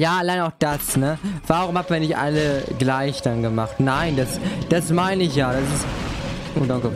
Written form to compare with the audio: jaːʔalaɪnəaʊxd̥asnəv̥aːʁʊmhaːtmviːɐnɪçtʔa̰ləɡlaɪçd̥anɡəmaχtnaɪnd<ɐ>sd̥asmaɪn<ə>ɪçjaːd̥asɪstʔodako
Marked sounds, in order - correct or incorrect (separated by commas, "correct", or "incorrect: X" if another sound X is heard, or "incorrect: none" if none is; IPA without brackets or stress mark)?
incorrect: a, correct